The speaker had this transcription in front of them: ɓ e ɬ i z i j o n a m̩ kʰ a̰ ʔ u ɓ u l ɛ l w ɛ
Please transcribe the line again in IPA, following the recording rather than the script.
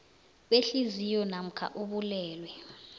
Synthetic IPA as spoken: ɓ e ɬ i z i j ɔ n a m̩ kʰ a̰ ʔ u ɓ u l ɛː l w ɛ

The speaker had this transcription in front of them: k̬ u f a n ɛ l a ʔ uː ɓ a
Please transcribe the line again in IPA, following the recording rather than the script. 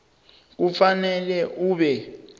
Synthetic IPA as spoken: k̬ u f a n ɛ l ɛ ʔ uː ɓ ɛ

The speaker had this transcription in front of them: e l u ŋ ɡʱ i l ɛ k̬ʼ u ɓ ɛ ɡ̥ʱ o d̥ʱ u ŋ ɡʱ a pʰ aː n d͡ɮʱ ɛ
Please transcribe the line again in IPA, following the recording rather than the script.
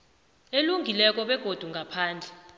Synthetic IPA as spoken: e l u ŋ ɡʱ i l ɛ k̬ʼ ɔ ɓ ɛ ɡ̥ʱ o d̥ʱ u ŋ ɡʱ a pʰ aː n d͡ɮʱ ɛ

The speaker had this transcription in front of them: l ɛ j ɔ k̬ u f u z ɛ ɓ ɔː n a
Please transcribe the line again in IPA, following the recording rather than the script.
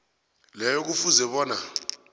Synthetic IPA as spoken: l ɛ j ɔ k̬ u f u z ɛ ɓ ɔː n a

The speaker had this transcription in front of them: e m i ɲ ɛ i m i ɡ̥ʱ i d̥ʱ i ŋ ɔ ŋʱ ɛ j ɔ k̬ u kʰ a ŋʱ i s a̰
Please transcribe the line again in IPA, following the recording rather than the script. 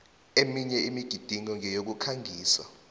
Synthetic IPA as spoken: e m i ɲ ɛ i m i ɡ̥ʱ i d̥ʱ i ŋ ɔ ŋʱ ɛ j o k̬ u kʰ a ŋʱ iː s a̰

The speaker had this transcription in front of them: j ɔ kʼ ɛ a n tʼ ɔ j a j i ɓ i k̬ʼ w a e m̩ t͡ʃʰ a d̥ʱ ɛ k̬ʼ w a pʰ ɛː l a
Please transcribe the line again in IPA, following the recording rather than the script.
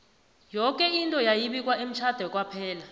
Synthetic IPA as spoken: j ɔ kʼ ɛ i n tʼ ɔ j a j i ɓ i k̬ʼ w a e m̩ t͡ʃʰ a d̥ʱ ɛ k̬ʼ w a pʰ ɛː l a

